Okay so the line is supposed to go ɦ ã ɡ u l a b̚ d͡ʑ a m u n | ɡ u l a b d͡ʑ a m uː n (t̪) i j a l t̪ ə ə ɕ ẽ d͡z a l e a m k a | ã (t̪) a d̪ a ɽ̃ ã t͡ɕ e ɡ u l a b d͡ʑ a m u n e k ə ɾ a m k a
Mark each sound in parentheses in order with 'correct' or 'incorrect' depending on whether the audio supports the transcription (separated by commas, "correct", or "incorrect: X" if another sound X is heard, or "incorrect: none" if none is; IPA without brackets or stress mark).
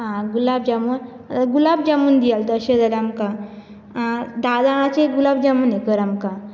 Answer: incorrect: d̪, incorrect: d̪